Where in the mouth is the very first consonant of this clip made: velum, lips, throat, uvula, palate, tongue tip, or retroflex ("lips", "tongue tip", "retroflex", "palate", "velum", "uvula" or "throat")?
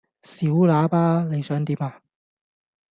tongue tip